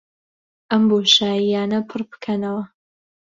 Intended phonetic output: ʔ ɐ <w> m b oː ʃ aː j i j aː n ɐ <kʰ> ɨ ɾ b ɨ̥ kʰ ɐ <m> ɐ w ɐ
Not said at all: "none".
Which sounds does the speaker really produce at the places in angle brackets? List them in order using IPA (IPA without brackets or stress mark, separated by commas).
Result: none, pʰ, n